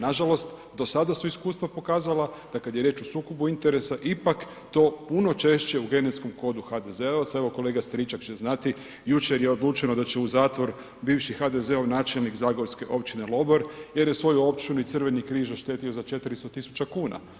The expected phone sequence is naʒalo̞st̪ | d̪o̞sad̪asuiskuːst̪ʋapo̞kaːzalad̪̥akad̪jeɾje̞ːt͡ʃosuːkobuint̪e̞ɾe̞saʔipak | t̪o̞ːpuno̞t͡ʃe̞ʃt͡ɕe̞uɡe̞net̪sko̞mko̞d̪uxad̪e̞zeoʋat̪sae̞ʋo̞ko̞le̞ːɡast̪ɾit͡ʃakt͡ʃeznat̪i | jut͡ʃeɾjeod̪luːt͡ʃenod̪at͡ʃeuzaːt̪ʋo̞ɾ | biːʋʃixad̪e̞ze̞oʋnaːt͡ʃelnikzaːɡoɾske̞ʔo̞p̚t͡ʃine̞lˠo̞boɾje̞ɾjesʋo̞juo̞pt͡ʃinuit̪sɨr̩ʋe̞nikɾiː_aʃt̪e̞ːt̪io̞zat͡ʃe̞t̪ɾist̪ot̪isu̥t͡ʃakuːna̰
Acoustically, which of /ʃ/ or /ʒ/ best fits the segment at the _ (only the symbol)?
ʒ